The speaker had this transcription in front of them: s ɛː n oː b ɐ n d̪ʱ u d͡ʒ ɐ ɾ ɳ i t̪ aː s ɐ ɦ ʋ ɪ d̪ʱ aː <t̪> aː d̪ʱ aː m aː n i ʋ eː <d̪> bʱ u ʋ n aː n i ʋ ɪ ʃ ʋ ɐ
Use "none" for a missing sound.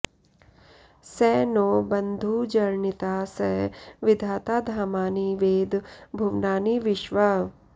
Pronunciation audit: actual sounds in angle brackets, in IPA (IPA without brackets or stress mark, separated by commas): t̪, d̪